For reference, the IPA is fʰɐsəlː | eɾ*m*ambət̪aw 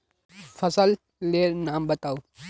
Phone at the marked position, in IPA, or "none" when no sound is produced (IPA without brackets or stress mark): n